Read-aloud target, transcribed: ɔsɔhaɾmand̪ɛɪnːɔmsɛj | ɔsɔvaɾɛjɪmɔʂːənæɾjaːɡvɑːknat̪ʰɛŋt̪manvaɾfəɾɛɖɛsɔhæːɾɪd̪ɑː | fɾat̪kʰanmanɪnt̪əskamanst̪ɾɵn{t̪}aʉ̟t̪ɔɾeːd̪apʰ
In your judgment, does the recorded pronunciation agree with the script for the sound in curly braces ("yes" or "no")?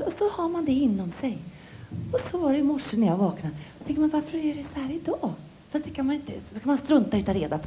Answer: yes